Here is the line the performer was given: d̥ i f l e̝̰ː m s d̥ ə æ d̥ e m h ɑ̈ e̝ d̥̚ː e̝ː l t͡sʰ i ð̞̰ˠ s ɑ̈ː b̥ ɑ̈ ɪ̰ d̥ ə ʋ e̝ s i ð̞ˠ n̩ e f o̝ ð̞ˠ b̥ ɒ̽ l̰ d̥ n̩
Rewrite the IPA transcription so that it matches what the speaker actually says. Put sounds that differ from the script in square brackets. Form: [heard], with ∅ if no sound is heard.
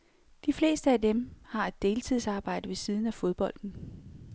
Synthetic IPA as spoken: d̥ i f l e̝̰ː [∅] s d̥ ə æ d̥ e m h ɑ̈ e̝ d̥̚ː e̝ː l t͡sʰ i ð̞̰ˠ s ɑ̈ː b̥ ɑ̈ ɪ̰ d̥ ə ʋ e̝ s i ð̞ˠ n̩ [æ] f o̝ ð̞ˠ b̥ ɒ̽ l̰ d̥ n̩

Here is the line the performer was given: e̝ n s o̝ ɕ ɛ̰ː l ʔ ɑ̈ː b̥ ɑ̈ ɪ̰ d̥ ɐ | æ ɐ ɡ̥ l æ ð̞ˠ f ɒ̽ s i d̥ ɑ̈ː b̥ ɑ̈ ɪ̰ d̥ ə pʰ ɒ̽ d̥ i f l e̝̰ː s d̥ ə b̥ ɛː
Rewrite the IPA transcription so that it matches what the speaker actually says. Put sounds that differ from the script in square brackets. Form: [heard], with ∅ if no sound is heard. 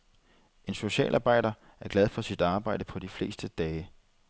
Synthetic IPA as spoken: e̝ n s o̝ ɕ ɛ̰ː l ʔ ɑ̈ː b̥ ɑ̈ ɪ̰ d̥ ɐ | æ ɐ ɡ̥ l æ ð̞ˠ f ɒ̽ s i d̥ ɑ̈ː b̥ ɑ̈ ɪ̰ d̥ ə pʰ ɒ̽ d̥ i f l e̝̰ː s d̥ ə [d̥] ɛː

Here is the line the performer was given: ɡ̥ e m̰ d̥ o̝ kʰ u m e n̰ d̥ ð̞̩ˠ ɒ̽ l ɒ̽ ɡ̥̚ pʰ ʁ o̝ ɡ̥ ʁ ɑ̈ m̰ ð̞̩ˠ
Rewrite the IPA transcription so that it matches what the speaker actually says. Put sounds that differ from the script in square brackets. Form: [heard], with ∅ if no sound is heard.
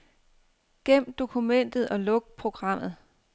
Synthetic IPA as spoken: ɡ̥ e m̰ d̥ o̝ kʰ u m e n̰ d̥ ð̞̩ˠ ɒ̽ l [ɔ̽] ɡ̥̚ pʰ ʁ o̝ ɡ̥ ʁ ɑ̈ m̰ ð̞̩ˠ

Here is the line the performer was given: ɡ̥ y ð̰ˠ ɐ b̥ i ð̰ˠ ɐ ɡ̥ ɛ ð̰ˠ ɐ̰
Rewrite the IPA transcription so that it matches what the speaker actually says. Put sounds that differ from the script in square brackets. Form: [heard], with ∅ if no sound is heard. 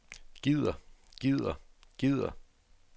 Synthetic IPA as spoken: ɡ̥ [i] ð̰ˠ ɐ [ɡ̥] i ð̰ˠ ɐ ɡ̥ [i] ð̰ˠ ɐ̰

